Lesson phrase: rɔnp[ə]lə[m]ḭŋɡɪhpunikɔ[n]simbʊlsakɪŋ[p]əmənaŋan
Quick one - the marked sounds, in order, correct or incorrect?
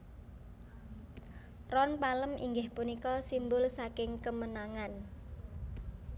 incorrect: a, correct, incorrect: none, incorrect: k

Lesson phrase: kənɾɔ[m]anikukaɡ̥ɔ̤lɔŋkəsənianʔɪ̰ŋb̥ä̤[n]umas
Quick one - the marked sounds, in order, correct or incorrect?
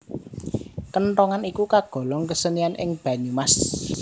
incorrect: ŋ, incorrect: ɲ

